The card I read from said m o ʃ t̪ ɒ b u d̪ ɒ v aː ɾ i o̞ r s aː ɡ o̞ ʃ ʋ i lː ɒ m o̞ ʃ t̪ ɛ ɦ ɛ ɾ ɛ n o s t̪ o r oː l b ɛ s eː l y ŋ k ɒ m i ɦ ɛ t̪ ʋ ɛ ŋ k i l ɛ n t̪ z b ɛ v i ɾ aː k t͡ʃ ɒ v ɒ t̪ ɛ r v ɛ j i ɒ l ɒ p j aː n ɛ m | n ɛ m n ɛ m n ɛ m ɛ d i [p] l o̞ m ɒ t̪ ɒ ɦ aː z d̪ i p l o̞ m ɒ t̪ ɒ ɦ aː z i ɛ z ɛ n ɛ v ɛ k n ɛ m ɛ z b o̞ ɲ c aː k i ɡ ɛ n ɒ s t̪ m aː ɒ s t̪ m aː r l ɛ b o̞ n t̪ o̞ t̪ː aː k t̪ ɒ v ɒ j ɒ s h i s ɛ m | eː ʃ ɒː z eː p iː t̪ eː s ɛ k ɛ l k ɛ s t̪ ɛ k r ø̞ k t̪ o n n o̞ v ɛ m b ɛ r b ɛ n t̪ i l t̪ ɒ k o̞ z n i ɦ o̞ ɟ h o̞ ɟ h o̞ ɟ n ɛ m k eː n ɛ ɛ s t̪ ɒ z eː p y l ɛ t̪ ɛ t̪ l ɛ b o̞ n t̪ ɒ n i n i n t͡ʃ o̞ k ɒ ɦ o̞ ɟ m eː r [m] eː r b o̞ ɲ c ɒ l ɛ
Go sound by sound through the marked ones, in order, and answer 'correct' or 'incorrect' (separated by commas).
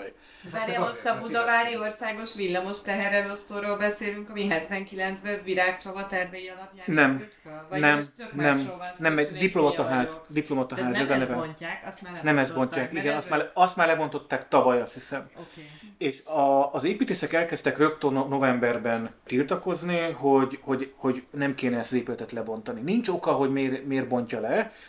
correct, correct